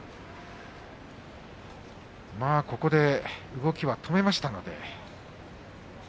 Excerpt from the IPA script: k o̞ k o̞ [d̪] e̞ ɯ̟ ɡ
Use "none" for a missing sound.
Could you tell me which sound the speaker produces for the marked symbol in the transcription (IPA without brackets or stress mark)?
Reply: d̪